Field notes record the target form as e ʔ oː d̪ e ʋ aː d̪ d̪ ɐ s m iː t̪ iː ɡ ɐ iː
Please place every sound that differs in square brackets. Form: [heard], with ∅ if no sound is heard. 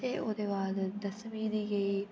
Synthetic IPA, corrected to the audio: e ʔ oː d̪ e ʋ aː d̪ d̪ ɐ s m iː [d̪] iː ɡ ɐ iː